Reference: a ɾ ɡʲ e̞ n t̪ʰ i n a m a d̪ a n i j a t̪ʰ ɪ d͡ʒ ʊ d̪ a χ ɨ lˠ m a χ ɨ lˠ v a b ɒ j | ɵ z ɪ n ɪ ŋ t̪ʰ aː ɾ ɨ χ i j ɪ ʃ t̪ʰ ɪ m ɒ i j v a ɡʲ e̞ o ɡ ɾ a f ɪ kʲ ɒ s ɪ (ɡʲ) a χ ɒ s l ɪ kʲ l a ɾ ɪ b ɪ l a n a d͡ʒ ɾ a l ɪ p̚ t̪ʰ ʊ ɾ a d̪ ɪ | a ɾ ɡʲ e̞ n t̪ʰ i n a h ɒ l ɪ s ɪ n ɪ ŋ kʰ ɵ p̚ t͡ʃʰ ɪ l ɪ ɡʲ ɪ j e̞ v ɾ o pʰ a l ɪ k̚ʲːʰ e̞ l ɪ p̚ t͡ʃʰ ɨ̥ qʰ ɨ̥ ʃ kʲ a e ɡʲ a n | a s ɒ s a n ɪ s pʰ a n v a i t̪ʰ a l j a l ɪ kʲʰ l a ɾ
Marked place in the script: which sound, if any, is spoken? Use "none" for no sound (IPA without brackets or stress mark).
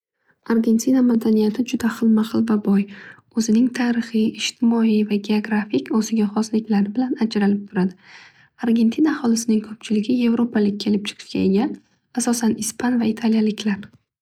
ɡʲ